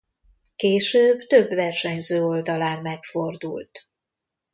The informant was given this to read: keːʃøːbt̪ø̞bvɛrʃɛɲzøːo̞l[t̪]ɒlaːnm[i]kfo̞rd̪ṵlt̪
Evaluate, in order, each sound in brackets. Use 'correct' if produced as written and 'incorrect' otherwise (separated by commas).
incorrect, incorrect